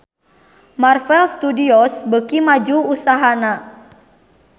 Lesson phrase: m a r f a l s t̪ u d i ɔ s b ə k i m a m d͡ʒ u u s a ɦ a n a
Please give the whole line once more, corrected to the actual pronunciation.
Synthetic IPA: m a r f ɛ l s t̪ u d i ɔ s b ə k i m a d͡ʒ u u s a ɦ a n a